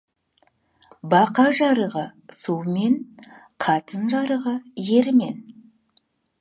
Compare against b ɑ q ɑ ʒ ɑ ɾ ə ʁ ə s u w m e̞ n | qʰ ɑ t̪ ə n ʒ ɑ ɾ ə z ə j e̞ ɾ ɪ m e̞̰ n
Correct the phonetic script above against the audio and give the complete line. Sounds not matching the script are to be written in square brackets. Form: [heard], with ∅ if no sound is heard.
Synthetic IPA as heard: b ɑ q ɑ ʒ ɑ ɾ ə ʁ ə s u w m e̞ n | qʰ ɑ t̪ ə n ʒ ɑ ɾ ə [ʁ] ə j e̞ ɾ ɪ m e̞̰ n